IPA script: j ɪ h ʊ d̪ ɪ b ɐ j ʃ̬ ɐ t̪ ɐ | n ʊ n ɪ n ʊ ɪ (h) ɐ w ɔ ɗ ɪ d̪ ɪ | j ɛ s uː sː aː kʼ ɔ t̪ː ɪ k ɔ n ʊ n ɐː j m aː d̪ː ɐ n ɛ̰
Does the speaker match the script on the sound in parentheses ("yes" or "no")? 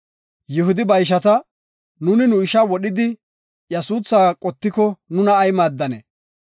no